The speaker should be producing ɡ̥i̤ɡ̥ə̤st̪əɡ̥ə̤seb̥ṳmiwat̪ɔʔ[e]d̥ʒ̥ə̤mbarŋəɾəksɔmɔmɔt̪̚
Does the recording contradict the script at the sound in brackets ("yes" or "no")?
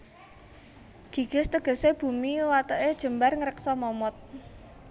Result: no